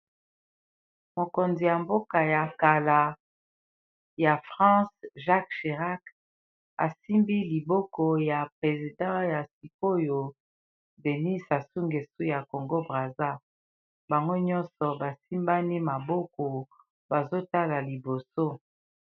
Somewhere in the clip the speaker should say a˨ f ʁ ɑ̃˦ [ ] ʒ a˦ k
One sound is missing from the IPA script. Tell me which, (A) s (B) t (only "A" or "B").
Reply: A